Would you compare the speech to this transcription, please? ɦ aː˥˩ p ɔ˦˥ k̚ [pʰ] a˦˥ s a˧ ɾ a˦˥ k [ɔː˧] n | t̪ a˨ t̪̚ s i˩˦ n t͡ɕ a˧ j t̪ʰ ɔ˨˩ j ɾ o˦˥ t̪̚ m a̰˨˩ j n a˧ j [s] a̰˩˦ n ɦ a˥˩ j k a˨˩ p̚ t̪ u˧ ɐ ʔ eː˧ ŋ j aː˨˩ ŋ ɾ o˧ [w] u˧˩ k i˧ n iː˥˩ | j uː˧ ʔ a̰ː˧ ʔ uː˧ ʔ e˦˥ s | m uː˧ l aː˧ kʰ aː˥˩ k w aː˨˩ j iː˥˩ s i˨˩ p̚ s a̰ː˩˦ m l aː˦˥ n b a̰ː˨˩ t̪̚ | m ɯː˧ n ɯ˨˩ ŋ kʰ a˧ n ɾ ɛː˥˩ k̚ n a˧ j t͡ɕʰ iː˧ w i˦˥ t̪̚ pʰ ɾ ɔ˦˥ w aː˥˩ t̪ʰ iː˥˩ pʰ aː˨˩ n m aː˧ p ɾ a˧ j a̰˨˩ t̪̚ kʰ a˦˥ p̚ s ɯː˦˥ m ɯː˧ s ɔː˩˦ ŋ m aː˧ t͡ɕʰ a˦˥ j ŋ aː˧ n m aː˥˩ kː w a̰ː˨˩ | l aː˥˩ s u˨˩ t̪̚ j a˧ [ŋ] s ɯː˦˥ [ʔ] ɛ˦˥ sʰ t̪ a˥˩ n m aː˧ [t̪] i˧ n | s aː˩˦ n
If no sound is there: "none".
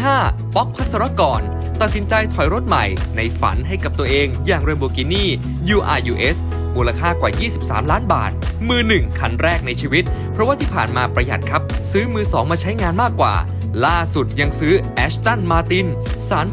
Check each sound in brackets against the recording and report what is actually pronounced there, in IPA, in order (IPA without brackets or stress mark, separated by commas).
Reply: pʰ, ɔː˨˩, f, b, ŋ, ʔ, t̪